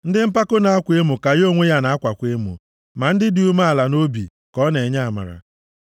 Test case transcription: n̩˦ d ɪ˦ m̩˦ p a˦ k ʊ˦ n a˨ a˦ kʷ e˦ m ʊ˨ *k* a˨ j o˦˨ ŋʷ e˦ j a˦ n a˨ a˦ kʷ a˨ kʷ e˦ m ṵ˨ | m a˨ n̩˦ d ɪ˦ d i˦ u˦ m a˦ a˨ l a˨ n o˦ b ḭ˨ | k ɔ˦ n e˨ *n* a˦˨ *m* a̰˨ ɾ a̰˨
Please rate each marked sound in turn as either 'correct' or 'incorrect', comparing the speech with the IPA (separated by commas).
correct, incorrect, correct